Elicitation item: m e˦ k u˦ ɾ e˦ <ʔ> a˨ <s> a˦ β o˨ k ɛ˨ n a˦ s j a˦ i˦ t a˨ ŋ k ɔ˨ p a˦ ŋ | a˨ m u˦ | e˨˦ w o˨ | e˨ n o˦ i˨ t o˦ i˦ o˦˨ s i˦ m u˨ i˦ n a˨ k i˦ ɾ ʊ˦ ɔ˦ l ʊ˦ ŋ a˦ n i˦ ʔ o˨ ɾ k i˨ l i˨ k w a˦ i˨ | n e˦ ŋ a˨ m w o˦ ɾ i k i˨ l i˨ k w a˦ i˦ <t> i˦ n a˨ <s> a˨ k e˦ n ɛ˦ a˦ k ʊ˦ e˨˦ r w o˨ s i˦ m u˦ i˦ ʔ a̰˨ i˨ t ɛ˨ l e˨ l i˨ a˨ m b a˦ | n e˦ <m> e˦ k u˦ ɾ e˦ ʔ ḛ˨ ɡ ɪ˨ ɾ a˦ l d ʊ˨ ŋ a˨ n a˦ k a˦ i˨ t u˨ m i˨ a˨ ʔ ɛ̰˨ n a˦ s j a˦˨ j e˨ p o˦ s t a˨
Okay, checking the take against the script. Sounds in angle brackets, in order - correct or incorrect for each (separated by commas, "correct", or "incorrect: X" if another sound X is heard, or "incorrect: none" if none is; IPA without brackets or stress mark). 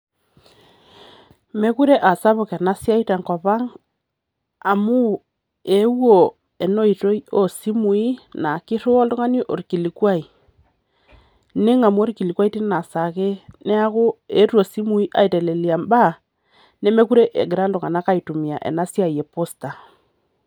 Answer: correct, correct, correct, correct, correct